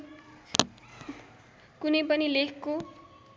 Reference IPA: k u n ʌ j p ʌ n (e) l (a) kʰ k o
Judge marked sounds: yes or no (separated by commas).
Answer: no, no